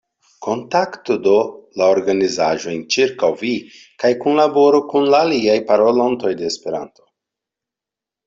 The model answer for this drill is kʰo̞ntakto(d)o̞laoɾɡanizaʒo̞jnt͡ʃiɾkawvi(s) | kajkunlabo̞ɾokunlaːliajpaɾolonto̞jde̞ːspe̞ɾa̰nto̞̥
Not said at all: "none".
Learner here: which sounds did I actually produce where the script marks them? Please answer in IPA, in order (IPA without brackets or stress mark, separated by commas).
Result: d, none